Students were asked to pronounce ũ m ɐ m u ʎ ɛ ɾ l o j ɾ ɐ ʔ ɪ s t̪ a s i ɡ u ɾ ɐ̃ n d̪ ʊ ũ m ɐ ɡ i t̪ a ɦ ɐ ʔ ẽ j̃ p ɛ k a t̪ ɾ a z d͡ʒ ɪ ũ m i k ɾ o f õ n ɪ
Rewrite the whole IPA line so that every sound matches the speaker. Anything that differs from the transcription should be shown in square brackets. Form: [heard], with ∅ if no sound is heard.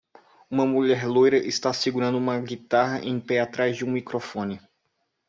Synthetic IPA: ũ m ɐ m u ʎ ɛ ɾ l o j ɾ ɐ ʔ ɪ s t̪ a s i ɡ u ɾ ɐ̃ n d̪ ʊ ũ m ɐ ɡ i t̪ a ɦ ɐ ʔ ẽ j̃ p ɛ [∅] a t̪ ɾ a z d͡ʒ ɪ ũ m i k ɾ o f õ n ɪ

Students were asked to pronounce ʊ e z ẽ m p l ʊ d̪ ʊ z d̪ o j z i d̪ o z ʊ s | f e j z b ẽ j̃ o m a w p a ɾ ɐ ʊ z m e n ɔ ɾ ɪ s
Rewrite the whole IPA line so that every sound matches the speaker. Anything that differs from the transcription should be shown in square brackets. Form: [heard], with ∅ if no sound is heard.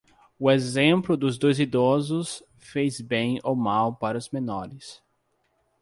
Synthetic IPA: ʊ e z ẽ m p l ʊ d̪ ʊ z d̪ o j z i d̪ [ɔ] z ʊ s | f e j z b ẽ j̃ o m a w p a ɾ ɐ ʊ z m e n ɔ ɾ ɪ s

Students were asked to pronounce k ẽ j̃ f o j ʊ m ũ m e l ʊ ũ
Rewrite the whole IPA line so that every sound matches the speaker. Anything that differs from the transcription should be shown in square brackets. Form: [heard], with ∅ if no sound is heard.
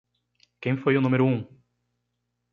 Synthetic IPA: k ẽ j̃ f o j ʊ [n] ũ m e [ɾ] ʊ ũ

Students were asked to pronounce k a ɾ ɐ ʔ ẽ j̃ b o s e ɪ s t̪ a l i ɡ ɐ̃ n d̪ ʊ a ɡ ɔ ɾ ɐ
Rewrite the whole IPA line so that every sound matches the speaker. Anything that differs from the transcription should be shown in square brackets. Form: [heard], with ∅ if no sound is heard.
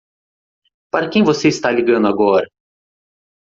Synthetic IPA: [p] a ɾ ɐ [k] ẽ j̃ [v] o s e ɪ s t̪ a l i ɡ ɐ̃ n d̪ ʊ a ɡ ɔ ɾ ɐ

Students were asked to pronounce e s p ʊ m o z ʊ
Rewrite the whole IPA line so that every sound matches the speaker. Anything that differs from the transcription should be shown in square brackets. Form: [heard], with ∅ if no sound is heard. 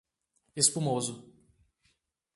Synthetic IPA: e s p [u] m o z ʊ

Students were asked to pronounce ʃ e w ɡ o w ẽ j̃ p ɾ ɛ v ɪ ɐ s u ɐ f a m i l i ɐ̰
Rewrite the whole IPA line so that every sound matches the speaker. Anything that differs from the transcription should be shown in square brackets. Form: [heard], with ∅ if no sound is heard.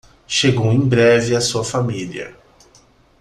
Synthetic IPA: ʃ e [∅] ɡ o w ẽ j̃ [b] ɾ ɛ v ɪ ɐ s u ɐ f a m i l i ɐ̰

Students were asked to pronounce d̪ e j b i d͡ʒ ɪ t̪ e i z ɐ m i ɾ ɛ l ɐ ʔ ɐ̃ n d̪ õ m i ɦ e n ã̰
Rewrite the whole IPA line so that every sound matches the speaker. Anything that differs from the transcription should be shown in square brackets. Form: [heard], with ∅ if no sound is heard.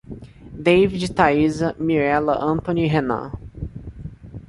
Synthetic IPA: d̪ e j [v] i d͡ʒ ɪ t̪ [a] i z ɐ m i ɾ ɛ l ɐ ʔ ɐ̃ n [t̪] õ [n] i ɦ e n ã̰

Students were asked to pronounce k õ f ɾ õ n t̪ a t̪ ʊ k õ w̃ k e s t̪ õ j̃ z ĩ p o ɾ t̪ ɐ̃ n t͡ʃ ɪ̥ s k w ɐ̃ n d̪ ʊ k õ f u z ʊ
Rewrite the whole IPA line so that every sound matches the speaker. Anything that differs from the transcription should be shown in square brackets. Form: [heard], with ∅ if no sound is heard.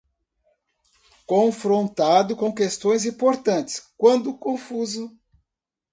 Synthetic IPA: k õ f ɾ õ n t̪ a [d̪] ʊ k õ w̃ k e s t̪ õ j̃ z ĩ p o ɾ t̪ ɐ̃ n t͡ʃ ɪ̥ s k w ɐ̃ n d̪ ʊ k õ f u z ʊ

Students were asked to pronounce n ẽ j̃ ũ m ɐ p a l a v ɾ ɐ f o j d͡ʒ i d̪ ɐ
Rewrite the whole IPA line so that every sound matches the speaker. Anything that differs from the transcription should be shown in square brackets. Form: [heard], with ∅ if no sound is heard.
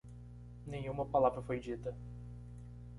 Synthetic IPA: n ẽ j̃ ũ m ɐ p a l a v ɾ ɐ f o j d͡ʒ i [t̪] ɐ

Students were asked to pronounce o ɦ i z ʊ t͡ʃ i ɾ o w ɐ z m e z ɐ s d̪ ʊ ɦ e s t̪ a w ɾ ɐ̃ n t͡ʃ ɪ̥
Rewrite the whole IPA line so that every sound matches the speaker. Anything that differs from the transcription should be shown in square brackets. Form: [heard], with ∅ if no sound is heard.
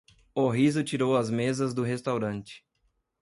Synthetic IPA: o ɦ i z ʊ t͡ʃ i ɾ o w ɐ z m e z ɐ [z] d̪ ʊ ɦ e s t̪ a w ɾ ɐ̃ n t͡ʃ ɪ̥

